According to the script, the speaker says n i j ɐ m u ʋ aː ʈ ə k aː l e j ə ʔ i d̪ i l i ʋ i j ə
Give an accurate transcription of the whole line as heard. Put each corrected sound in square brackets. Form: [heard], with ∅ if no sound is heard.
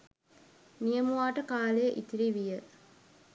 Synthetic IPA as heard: n i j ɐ m u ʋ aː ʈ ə k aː l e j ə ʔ i [t̪] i [ɾ] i ʋ i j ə